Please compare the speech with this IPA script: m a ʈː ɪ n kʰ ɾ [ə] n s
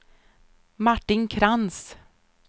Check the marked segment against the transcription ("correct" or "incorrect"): incorrect